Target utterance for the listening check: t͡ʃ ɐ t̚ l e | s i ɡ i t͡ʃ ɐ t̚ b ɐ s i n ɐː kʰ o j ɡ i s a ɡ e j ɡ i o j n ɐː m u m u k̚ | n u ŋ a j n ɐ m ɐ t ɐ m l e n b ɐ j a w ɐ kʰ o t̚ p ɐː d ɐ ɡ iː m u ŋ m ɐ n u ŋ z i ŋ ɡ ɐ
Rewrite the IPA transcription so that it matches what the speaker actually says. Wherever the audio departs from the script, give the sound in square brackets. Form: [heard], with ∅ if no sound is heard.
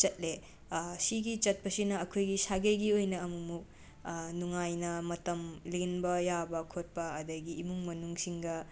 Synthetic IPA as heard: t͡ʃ ɐ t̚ l e | s i ɡ i t͡ʃ ɐ t̚ [p] ɐ s i n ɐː kʰ o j ɡ i s a ɡ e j ɡ i o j n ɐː m u m u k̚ | n u ŋ a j n ɐ m ɐ t ɐ m l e n b ɐ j a [b] ɐ kʰ o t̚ p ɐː d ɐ ɡ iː m u ŋ m ɐ n u ŋ [s] i ŋ ɡ ɐ